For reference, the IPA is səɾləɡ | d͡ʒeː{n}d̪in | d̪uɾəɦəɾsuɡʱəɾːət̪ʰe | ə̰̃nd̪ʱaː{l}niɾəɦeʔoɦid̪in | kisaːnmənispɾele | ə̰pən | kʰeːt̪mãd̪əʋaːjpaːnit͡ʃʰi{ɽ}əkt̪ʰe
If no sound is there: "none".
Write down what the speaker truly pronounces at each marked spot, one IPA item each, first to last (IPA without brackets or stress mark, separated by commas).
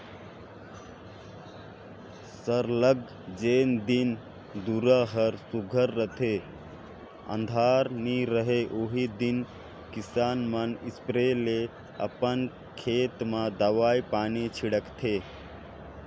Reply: n, ɾ, ɽ